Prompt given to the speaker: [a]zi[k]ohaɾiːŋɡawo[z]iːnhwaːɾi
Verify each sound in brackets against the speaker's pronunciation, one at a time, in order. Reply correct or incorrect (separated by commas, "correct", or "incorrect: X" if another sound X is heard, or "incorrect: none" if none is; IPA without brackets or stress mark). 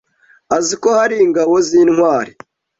correct, correct, correct